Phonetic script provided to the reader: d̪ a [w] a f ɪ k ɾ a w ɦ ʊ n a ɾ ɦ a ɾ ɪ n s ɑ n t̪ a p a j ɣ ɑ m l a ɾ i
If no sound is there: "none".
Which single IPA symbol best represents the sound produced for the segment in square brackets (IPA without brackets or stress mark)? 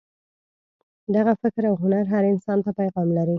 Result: ɣ